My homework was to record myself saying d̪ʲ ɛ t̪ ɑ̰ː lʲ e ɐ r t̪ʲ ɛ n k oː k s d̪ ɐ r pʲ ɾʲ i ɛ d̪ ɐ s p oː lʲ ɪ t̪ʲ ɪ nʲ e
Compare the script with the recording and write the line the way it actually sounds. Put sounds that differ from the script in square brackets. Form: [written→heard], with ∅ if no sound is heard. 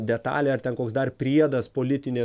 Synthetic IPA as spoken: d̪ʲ ɛ t̪ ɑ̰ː lʲ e ɐ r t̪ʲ ɛ n k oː k s d̪ ɐ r pʲ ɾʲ i ɛ d̪ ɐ s p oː lʲ ɪ t̪ʲ ɪ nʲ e